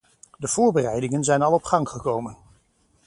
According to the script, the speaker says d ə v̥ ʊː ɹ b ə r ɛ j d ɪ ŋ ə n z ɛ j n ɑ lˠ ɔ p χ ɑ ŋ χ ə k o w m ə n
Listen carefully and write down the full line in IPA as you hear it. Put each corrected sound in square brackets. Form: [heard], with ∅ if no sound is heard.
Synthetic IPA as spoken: d ə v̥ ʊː ɹ b ə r ɛ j d ɪ ŋ ə n z ɛ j n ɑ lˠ ɔ p χ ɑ ŋ χ ə k o w m ə n